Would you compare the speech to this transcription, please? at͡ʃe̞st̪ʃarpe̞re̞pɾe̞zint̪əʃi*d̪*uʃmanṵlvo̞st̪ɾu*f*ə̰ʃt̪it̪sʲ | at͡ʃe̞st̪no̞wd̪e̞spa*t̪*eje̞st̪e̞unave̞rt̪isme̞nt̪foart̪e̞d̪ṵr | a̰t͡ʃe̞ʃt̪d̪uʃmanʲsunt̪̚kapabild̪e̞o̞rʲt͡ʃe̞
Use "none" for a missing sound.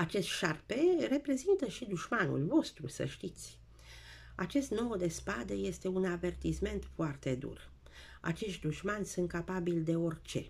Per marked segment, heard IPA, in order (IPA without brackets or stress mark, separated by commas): d̪, s, d̪